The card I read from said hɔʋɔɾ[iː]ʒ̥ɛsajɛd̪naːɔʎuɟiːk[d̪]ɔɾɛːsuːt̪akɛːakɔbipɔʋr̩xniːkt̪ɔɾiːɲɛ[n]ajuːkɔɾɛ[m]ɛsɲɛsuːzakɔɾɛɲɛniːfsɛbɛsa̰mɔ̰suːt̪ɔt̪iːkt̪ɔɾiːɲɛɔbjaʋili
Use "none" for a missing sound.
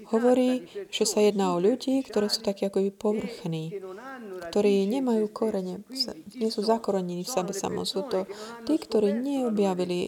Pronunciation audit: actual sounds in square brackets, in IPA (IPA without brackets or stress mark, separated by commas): iː, t̪, m, ɲ